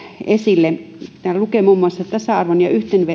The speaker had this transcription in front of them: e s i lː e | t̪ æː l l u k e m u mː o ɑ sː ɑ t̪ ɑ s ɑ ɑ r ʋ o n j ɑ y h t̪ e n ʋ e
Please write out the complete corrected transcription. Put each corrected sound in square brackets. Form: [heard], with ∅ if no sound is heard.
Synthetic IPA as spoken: e s i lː e | t̪ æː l l u k e m u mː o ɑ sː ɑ t̪ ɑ s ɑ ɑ r ʋ o n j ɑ y h t̪ e n ʋ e